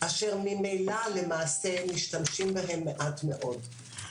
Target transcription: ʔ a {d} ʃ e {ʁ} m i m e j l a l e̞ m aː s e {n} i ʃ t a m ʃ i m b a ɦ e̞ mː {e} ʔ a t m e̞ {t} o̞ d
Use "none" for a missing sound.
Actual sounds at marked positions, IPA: none, ʁ, m, e, ʔ

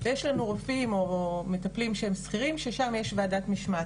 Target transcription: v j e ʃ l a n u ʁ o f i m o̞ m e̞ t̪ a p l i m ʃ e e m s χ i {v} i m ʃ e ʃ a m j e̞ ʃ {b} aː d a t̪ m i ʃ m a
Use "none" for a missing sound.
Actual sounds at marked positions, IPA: ʁ, v

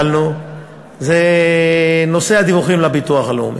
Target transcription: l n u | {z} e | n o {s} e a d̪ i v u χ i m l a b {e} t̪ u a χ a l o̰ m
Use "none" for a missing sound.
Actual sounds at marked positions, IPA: z, s, i

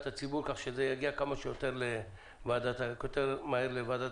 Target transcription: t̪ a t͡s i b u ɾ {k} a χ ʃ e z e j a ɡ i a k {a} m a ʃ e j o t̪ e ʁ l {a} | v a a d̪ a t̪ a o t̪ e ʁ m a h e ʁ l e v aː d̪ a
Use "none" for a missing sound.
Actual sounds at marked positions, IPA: k, a, e

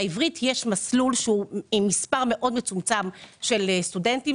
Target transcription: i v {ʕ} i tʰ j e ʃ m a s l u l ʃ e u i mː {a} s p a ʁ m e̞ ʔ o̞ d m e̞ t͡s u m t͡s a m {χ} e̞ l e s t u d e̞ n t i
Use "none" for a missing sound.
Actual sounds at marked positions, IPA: ʁ, i, ʃ

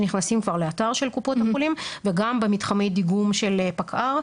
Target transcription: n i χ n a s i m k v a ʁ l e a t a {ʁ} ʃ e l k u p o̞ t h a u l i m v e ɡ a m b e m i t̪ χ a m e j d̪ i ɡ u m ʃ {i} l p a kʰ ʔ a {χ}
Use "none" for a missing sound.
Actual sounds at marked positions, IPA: ʁ, e, ʁ

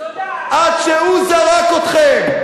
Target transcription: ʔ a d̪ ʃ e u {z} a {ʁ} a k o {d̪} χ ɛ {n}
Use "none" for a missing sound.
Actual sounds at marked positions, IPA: z, ʁ, t̪, m

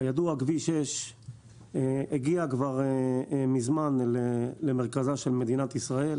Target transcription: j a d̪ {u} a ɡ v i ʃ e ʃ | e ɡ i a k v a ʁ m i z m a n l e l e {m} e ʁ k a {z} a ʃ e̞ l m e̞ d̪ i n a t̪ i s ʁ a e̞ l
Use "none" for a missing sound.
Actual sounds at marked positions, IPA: u, m, z

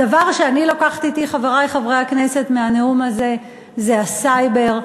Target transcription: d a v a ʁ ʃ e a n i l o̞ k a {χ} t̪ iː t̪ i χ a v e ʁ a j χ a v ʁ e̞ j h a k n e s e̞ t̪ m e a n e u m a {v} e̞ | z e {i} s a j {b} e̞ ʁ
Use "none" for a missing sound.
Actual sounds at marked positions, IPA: χ, z, a, b

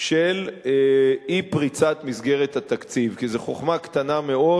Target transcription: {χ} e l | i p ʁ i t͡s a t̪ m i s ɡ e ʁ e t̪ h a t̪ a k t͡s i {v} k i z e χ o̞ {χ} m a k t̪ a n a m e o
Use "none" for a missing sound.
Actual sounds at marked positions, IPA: ʃ, v, χ

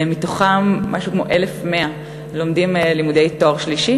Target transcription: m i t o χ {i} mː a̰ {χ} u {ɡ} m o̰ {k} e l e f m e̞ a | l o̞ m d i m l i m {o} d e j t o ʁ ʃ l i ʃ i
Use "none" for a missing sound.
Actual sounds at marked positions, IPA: a, ʃ, k, ʔ, u

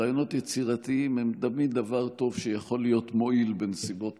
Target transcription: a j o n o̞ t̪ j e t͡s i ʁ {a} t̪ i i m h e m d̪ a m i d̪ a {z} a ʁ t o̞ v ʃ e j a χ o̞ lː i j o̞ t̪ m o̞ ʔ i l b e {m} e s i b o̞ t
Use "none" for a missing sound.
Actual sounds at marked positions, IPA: a, v, n

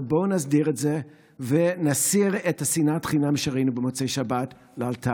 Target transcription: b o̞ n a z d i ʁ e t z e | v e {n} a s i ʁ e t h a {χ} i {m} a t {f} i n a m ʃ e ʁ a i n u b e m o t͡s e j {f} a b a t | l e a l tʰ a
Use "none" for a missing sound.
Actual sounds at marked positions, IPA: n, s, n, χ, ʃ

